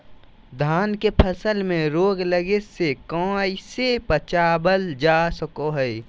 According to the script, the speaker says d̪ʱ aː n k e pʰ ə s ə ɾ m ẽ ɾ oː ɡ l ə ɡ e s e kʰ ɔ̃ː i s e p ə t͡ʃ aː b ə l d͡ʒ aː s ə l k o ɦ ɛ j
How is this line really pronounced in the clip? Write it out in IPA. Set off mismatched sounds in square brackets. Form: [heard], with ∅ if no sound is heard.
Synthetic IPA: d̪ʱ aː n k e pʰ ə s ə [l] m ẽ ɾ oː ɡ l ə ɡ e s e [k] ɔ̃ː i s e p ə t͡ʃ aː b ə l d͡ʒ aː s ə [∅] k o ɦ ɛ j